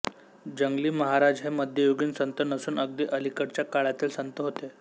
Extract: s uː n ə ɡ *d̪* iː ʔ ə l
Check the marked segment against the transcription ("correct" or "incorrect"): correct